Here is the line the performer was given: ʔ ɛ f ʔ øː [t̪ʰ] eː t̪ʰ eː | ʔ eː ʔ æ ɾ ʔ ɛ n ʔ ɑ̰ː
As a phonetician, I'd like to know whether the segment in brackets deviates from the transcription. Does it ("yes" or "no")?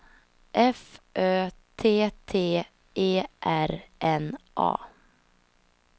no